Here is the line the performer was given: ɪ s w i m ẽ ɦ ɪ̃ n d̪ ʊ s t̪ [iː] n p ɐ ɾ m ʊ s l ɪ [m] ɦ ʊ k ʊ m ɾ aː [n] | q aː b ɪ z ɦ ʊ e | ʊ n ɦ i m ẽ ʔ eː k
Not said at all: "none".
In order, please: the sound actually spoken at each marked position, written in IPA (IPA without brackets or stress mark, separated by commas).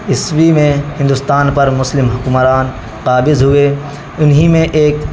aː, m, n